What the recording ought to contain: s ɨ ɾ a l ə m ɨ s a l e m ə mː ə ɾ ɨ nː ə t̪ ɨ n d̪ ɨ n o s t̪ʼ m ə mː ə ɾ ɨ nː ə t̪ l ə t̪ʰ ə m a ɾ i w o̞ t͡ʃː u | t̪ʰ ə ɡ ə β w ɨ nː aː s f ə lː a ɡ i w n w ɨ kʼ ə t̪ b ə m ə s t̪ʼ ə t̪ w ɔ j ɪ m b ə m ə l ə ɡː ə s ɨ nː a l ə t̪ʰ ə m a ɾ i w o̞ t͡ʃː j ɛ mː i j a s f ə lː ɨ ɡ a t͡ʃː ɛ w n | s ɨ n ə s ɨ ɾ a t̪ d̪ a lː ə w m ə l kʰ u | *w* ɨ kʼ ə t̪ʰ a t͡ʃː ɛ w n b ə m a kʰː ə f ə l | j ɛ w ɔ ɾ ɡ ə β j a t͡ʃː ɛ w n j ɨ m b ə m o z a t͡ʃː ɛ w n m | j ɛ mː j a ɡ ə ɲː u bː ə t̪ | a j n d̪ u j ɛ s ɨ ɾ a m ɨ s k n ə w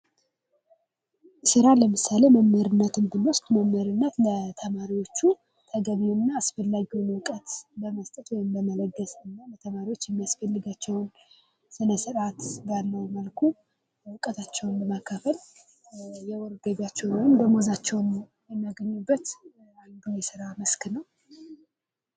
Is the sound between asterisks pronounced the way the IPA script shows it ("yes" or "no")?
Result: yes